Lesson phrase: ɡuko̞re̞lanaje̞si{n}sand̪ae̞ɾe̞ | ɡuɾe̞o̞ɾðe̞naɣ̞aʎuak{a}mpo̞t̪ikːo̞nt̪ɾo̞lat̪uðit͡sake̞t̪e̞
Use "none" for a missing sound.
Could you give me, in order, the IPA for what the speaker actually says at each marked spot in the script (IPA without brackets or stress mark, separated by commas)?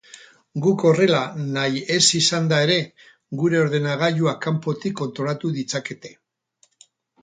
none, a